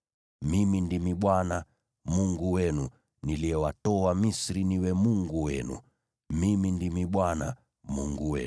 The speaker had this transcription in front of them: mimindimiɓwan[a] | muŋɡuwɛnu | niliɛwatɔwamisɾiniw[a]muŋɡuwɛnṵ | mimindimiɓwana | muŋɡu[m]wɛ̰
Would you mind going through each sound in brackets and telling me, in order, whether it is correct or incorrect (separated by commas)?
correct, incorrect, incorrect